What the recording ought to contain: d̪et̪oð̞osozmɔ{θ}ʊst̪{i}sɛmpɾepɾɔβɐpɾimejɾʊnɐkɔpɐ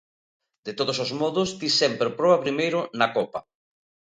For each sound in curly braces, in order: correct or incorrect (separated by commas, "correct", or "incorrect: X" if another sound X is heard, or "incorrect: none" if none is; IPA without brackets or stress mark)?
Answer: incorrect: ð, correct